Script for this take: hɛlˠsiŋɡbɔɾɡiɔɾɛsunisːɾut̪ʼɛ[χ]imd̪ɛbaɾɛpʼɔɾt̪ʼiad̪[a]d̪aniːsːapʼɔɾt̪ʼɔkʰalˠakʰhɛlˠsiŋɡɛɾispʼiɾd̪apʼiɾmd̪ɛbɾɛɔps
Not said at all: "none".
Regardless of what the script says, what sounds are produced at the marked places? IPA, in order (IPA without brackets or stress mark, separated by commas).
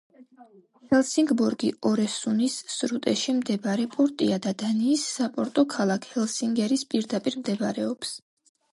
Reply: ʃ, a